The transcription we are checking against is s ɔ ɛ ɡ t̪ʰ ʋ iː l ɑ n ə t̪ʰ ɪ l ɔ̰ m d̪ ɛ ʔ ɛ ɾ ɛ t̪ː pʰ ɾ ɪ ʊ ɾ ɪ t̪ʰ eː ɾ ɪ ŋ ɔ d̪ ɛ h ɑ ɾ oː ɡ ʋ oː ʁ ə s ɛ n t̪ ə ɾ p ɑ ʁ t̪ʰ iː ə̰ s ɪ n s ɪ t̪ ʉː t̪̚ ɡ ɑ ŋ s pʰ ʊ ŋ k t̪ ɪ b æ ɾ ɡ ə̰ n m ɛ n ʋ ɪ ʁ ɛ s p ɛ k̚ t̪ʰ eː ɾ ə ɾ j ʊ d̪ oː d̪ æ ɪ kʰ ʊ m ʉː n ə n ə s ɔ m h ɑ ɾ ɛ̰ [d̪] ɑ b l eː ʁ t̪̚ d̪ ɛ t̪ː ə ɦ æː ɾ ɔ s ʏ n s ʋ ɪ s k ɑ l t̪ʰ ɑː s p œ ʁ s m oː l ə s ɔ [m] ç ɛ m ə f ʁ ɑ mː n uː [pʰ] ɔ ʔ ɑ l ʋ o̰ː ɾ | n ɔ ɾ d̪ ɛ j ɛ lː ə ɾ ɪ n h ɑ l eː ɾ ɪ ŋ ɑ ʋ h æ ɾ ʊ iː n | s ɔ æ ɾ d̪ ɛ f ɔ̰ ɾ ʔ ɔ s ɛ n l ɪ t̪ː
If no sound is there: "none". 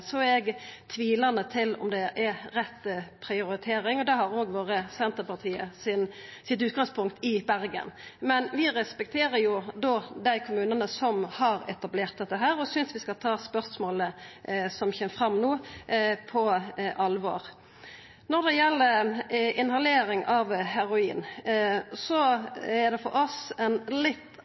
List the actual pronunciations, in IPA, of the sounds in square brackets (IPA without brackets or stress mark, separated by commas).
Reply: t̪, m, pʰ